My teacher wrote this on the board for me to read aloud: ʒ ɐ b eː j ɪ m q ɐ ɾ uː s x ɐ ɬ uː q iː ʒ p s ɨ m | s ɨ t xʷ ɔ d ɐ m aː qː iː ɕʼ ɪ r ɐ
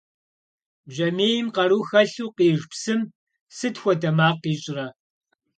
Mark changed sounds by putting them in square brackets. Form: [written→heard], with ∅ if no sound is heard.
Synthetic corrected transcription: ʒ ɐ [b→m] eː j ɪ m q ɐ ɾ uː [s→∅] x ɐ ɬ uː q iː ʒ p s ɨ m | s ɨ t xʷ ɔ d ɐ m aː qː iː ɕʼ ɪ r ɐ